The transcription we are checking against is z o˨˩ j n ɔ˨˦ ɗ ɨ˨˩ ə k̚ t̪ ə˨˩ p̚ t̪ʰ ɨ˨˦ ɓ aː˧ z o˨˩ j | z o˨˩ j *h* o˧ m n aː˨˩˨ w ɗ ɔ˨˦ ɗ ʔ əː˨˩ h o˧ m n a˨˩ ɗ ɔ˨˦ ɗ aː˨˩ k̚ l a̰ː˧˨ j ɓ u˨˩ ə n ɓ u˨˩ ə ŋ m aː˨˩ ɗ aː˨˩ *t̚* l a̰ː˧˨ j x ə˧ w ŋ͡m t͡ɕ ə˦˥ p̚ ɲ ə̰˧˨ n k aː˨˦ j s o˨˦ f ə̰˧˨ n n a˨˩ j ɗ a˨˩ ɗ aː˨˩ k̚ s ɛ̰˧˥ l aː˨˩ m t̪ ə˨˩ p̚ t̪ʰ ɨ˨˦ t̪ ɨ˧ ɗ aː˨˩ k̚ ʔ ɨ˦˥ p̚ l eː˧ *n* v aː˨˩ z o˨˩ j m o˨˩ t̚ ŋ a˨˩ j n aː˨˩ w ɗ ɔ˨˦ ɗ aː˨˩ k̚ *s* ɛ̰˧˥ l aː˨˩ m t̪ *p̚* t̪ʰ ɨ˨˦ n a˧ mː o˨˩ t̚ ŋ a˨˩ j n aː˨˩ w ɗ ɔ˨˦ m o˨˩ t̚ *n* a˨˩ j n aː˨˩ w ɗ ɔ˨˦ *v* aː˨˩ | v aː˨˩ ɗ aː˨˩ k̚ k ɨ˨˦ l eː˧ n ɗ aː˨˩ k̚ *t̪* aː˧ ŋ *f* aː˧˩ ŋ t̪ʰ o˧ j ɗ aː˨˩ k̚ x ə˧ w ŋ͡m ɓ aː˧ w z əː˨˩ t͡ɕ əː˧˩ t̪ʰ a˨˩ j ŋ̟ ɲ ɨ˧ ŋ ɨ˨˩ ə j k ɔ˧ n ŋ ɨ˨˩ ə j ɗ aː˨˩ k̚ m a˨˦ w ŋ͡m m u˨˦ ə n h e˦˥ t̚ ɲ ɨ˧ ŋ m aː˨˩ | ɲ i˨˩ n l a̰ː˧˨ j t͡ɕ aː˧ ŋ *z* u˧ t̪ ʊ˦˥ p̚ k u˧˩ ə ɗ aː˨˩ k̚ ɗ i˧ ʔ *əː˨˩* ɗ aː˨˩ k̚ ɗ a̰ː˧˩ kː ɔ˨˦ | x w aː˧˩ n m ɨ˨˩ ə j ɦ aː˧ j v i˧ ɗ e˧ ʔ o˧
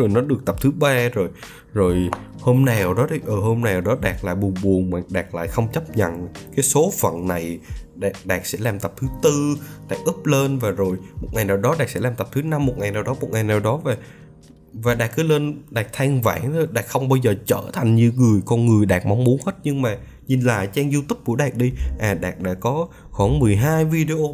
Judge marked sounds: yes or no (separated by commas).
yes, no, yes, yes, yes, no, yes, no, no, yes, no